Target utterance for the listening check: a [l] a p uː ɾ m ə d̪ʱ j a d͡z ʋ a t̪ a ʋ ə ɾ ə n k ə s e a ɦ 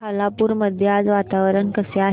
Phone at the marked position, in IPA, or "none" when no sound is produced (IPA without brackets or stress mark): l